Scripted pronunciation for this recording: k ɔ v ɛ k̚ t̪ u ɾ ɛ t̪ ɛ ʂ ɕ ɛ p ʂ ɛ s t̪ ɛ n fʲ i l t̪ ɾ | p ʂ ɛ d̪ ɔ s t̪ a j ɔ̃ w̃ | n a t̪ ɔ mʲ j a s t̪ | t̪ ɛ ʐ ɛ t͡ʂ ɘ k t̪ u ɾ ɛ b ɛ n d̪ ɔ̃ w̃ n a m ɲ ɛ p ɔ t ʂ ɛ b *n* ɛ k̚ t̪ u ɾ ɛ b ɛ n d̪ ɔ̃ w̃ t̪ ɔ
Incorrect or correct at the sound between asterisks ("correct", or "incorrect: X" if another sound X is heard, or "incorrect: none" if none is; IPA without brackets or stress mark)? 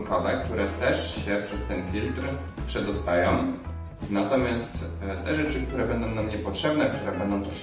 correct